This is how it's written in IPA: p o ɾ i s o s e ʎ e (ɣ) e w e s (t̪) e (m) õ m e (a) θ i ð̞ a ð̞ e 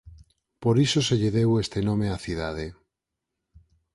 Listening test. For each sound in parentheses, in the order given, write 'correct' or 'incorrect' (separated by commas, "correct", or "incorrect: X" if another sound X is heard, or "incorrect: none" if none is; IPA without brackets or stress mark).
incorrect: ð, correct, incorrect: n, correct